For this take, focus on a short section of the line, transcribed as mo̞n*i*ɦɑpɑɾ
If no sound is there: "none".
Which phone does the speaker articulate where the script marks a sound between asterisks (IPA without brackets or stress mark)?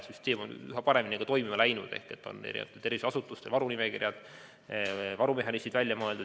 y